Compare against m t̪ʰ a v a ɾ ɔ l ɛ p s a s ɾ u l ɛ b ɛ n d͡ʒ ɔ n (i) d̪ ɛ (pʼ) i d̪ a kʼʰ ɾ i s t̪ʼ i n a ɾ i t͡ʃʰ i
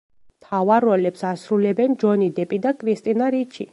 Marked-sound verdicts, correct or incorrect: correct, correct

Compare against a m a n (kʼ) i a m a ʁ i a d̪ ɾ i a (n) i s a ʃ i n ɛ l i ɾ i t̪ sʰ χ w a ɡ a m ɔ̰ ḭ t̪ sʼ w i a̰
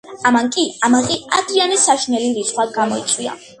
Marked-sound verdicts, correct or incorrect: correct, correct

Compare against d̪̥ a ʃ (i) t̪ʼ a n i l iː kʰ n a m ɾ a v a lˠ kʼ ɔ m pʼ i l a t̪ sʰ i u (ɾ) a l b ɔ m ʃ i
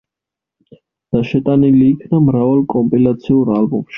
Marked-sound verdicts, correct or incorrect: incorrect, correct

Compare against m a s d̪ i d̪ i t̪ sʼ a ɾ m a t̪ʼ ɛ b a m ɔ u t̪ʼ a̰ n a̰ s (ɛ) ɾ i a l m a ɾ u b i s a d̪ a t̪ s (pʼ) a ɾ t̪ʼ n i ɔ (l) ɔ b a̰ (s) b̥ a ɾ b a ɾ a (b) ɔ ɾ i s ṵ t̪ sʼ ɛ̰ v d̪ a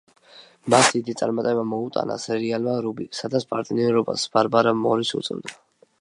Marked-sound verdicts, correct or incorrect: correct, correct, incorrect, correct, incorrect

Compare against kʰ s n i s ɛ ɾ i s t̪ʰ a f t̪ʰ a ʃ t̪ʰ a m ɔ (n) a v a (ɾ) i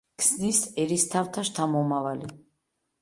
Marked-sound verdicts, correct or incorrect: incorrect, incorrect

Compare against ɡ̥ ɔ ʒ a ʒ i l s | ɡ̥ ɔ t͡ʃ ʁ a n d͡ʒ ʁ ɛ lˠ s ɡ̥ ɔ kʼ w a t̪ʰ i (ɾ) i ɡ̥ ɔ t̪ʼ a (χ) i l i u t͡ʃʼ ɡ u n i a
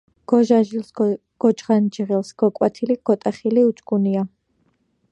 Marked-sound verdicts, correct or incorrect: incorrect, correct

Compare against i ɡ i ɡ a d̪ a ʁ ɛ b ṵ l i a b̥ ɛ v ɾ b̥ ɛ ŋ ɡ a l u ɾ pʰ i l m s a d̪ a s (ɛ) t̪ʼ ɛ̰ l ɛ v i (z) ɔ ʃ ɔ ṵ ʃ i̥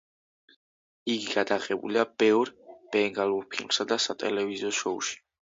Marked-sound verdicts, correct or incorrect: incorrect, correct

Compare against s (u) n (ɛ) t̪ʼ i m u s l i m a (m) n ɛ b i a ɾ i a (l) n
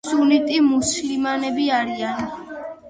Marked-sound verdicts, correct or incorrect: correct, incorrect, incorrect, incorrect

